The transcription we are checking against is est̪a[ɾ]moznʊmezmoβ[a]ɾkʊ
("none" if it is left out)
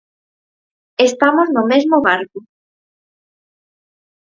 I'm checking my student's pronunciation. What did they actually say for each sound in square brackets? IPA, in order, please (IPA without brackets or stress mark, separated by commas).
none, a